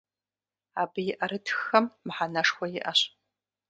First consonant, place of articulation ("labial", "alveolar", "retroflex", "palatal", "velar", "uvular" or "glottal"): labial